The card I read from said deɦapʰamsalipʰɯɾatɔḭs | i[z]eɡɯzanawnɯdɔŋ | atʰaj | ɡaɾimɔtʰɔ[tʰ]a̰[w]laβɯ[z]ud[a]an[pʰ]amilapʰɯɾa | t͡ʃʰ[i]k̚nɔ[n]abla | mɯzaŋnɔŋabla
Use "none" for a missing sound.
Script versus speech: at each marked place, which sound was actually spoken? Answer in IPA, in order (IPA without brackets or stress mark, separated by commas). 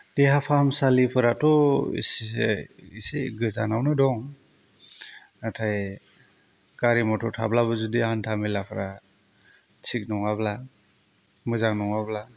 s, tʰ, b, z, i, tʰ, i, ŋ